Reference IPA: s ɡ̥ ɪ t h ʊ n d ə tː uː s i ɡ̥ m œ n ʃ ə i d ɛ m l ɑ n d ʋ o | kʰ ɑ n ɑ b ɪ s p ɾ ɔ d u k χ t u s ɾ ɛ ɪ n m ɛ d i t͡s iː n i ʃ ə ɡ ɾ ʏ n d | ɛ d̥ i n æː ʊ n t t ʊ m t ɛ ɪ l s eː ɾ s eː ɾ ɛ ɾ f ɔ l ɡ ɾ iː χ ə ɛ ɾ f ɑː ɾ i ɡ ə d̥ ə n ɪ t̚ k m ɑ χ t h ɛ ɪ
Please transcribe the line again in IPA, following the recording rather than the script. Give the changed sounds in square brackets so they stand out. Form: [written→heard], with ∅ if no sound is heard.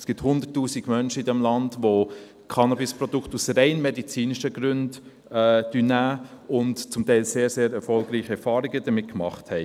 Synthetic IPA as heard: s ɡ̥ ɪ t h ʊ n d ə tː uː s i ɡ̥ m œ n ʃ ə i d ɛ m l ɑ n d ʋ o | kʰ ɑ n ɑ b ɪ s p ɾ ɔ d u k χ t u s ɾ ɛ ɪ n m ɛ d i t͡s iː n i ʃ ə ɡ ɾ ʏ n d | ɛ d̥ [i→y] n æː ʊ n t [t→t͡s] ʊ m t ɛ ɪ l s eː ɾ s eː ɾ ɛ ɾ f ɔ l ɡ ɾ iː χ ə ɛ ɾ f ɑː ɾ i ɡ ə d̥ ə [n→m] ɪ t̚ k m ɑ χ t h ɛ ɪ